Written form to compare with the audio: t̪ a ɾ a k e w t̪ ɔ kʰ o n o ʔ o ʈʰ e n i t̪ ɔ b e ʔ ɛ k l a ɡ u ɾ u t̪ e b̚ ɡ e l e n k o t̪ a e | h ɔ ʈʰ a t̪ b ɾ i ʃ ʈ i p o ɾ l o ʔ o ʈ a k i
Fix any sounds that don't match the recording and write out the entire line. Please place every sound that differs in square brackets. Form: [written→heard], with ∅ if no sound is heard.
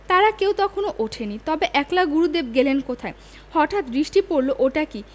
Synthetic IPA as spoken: t̪ a ɾ a k e w t̪ ɔ kʰ o n o ʔ o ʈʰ e n i t̪ ɔ b e ʔ ɛ k l a ɡ u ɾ u [t̪→d̪] e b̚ ɡ e l e n k o [t̪→t̪ʰ] a e | h ɔ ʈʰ a t̪ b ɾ i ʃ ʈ i p o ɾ l o ʔ o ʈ a k i